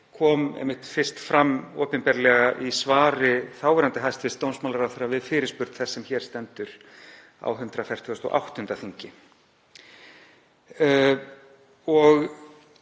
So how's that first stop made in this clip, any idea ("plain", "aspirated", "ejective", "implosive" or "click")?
aspirated